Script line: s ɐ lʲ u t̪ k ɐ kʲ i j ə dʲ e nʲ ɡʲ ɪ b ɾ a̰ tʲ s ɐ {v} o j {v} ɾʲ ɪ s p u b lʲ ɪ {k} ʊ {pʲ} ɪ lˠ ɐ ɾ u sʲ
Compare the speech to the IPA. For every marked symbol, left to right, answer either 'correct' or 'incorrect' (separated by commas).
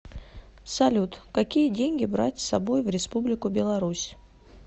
incorrect, correct, correct, incorrect